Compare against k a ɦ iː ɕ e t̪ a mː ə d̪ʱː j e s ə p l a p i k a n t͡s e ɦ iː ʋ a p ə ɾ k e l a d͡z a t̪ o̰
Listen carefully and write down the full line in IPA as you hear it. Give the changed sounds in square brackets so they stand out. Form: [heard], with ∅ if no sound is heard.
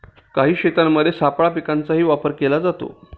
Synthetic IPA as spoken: k a ɦ iː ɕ e t̪ a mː ə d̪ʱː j e s [a] p [ɭ] a p i k a n t͡s [a] ɦ iː ʋ a p ə ɾ k e l a d͡z a t̪ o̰